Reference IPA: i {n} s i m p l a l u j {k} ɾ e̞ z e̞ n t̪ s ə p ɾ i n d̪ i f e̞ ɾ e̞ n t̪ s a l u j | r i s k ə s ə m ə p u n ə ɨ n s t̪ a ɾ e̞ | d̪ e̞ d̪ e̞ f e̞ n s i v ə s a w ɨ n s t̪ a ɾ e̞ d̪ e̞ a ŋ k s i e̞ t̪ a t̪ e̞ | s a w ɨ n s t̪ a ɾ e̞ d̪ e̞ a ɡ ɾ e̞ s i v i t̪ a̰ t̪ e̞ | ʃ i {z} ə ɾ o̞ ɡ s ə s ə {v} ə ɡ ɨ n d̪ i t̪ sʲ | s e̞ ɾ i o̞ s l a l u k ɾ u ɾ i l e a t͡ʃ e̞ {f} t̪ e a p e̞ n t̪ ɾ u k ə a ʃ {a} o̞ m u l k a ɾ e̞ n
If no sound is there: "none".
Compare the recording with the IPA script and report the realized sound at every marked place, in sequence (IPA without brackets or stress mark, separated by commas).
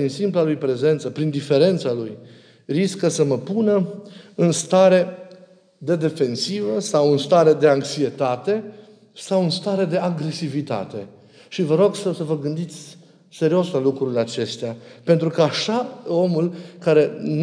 n, p, v, v, s, a